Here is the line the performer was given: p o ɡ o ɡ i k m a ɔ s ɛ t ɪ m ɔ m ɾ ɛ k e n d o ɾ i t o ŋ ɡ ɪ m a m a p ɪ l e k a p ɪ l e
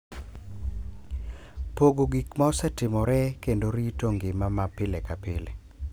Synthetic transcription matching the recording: p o ɡ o ɡ i k m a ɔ s ɛ t ɪ m ɔ ɾ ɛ k e n d o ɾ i t o ŋ ɡ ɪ m a m a p ɪ l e k a p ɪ l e

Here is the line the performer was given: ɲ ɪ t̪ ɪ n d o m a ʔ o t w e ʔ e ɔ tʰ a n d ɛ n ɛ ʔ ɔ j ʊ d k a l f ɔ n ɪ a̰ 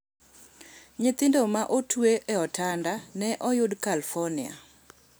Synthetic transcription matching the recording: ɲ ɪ t̪ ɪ n d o m a ʔ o t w e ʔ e ɔ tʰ a n d a n ɛ ʔ ɔ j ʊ d k a l f ɔ n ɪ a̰

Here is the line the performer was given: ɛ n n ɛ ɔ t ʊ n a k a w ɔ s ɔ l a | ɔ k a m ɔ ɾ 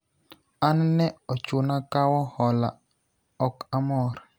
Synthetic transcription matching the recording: a n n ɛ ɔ t͡ʃ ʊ n a k a w ɔ h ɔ l a | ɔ k a m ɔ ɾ

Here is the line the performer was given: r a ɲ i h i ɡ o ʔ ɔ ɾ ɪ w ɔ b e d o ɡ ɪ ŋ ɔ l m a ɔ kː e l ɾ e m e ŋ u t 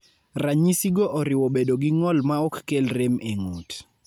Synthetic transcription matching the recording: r a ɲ i s i ɡ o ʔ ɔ ɾ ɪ w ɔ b e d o ɡ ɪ ŋ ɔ l m a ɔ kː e l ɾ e m e ŋ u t

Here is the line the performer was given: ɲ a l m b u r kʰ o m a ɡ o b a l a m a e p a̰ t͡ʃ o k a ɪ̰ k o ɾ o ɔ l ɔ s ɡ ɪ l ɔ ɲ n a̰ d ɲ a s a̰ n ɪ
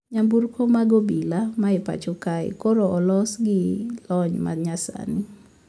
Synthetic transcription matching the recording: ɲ a m b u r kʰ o m a ɡ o b i l a m a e p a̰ t͡ʃ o k a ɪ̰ k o ɾ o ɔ l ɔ s ɡ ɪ l ɔ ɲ m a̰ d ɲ a s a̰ n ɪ

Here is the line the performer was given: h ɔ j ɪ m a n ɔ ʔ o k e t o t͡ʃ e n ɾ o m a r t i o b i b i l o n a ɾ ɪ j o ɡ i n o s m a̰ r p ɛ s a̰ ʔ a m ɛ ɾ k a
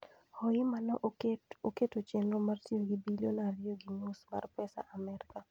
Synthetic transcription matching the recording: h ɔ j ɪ m a n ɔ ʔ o k e t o t͡ʃ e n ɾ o m a r t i o ɡ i b i l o n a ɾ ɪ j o ɡ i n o s m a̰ r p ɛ s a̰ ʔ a m ɛ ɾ k a

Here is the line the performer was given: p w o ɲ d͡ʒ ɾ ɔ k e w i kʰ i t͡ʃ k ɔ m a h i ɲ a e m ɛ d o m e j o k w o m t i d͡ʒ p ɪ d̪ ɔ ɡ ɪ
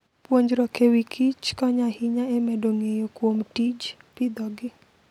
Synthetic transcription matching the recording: p w o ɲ d͡ʒ ɾ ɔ k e w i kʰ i t͡ʃ k ɔ ɲ a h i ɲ a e m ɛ d o ŋ e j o k w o m t i d͡ʒ p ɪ d̪ ɔ ɡ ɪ

